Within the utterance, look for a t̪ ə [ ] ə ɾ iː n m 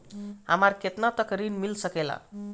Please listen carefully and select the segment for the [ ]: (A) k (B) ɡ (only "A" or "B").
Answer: A